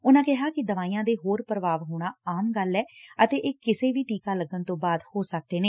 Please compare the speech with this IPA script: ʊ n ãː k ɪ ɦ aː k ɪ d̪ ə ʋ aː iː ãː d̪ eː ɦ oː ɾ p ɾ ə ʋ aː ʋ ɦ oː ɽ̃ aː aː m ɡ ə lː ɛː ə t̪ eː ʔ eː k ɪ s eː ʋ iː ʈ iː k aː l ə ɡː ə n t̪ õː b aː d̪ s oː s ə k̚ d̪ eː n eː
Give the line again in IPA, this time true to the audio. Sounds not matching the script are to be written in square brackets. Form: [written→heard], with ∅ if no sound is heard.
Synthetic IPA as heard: ʊ n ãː k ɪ ɦ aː k ɪ d̪ ə ʋ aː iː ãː d̪ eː ɦ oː ɾ p ɾ ə ʋ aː ʋ ɦ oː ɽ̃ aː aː m ɡ ə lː ɛː ə t̪ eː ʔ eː k ɪ s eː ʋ iː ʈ iː k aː l ə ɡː ə n t̪ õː b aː d̪ [s→h] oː s ə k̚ d̪ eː n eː